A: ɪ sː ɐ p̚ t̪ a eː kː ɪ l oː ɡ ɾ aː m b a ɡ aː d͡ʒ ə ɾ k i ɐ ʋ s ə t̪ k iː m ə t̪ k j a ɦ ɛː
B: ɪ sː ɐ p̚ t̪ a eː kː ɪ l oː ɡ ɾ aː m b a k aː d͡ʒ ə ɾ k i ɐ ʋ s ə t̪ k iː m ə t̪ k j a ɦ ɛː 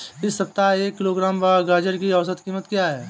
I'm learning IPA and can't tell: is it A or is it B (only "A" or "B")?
A